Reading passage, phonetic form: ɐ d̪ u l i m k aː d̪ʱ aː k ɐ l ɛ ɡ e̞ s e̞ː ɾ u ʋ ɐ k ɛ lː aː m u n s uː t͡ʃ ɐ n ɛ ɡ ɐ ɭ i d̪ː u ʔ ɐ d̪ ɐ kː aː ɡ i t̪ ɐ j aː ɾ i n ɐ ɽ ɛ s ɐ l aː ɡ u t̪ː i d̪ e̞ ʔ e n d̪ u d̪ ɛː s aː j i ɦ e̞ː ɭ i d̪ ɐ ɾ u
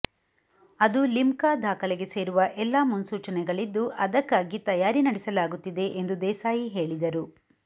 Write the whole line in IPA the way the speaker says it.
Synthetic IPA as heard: ɐ d̪ u l i m k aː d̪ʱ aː k ɐ l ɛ ɡ e̞ s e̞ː ɾ u ʋ ɐ ʔ ɛ lː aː m u n s uː t͡ʃ ɐ n ɛ ɡ ɐ ɭ i d̪ː u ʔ ɐ d̪ ɐ kː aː ɡ i t̪ ɐ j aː ɾ i n ɐ ɽ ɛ s ɐ l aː ɡ u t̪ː i d̪ e̞ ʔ e n d̪ u d̪ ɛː s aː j i ɦ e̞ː ɭ i d̪ ɐ ɾ u